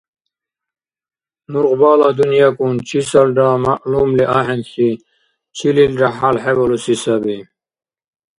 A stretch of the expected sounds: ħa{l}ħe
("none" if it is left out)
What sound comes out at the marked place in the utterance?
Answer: l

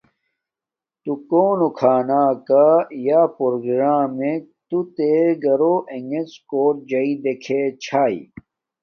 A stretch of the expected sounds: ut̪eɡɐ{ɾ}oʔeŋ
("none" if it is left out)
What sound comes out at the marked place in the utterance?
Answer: ɾ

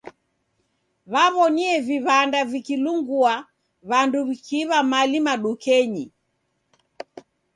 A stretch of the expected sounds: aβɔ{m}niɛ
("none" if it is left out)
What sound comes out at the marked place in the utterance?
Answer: none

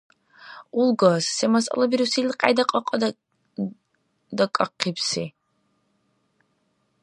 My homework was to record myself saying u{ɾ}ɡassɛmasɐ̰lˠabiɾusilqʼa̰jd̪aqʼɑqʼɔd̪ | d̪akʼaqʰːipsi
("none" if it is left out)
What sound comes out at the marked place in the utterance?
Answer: l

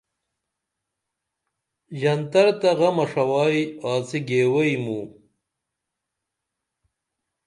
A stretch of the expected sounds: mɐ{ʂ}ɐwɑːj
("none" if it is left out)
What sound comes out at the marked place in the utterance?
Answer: ʂ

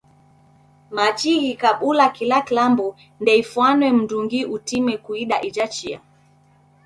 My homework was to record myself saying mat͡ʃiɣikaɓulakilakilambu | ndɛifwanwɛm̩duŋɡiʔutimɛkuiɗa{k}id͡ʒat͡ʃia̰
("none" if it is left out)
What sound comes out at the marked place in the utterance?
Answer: ʔ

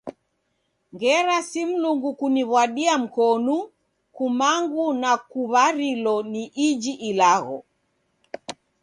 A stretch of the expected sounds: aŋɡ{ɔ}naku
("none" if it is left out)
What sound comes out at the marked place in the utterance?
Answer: u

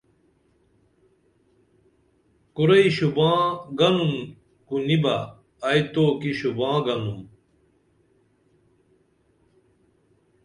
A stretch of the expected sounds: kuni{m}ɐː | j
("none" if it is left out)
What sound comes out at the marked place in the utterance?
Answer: b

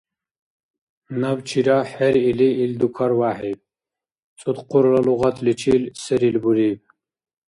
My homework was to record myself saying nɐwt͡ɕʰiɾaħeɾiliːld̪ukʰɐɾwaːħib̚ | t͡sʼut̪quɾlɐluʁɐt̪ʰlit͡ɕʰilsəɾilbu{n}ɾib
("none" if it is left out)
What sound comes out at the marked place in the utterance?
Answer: none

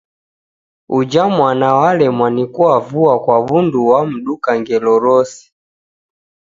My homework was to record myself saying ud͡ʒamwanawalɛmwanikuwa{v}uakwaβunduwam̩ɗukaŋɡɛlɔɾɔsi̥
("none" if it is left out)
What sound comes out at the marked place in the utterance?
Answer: v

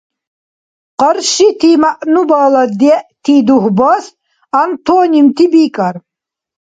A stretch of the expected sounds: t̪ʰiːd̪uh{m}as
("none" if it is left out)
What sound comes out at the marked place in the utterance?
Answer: b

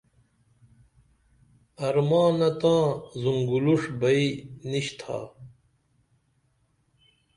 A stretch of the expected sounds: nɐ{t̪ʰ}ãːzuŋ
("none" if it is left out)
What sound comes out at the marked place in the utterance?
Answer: t̪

